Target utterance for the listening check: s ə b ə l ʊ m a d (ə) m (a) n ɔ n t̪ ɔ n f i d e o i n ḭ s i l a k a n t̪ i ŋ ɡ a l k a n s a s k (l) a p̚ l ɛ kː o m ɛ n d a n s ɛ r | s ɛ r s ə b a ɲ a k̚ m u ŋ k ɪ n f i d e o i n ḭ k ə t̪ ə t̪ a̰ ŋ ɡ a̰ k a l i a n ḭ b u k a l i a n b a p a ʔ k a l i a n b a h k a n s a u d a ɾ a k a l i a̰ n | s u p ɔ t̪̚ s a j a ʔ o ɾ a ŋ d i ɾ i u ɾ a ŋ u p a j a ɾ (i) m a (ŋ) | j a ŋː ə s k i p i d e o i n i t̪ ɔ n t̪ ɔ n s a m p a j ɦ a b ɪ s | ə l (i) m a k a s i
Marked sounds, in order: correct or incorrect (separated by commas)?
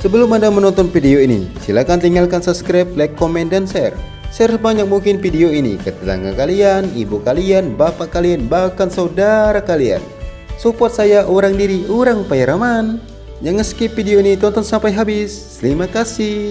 incorrect, incorrect, incorrect, incorrect, incorrect, correct